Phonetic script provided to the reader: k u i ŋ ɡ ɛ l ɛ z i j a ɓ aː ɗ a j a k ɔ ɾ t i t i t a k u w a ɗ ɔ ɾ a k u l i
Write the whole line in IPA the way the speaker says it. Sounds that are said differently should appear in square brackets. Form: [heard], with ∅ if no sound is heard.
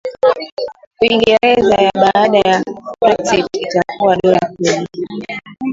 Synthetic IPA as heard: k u i ŋ ɡ ɛ [ɾ] ɛ z [a] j a ɓ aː ɗ a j a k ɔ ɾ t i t i t a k u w a ɗ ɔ ɾ a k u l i